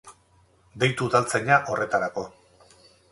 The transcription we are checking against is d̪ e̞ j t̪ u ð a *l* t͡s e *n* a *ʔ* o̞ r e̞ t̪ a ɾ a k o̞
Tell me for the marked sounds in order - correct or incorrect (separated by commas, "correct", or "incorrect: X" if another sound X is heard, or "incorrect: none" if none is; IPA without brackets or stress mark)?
correct, incorrect: ɲ, correct